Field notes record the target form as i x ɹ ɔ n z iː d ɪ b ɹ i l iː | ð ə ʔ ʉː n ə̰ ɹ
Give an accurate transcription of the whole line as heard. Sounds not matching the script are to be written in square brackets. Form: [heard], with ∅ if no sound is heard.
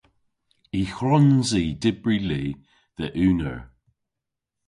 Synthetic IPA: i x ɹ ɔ n z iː d ɪ b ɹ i l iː | ð ə ʔ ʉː n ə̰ ɹ